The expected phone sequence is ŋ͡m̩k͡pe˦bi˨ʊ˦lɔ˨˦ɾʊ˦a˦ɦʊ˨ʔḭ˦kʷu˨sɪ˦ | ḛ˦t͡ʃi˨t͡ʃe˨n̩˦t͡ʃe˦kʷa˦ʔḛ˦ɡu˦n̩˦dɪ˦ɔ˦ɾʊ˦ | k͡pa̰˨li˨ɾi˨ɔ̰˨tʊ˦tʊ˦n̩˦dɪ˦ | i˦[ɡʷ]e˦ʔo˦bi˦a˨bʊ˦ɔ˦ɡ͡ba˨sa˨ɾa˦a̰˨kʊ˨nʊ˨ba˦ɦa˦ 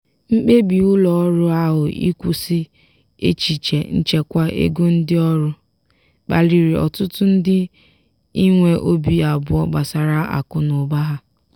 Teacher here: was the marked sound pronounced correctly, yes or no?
no